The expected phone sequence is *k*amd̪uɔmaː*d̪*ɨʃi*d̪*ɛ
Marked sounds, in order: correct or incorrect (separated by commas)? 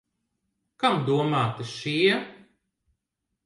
correct, incorrect, incorrect